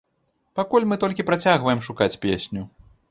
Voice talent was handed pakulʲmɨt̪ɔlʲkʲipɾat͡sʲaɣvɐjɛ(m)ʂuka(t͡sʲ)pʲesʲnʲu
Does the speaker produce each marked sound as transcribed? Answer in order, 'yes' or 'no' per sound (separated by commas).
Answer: yes, yes